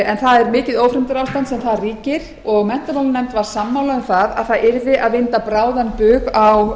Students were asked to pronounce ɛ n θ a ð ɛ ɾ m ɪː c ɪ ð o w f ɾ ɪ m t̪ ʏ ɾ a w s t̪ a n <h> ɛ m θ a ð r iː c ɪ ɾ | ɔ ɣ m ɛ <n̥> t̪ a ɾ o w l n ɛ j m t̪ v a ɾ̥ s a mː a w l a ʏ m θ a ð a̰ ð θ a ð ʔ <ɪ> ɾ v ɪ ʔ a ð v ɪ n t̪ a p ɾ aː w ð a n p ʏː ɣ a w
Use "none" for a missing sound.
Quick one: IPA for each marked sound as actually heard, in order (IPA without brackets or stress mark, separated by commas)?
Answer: s, n̥, ɪ